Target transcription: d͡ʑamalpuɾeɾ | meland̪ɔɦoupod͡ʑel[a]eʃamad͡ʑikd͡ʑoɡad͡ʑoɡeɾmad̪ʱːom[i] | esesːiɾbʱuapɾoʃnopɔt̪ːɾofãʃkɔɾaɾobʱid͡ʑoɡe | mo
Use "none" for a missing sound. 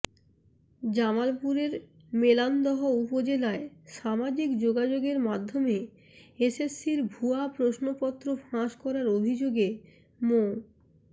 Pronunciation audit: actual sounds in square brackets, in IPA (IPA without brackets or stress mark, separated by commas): a, e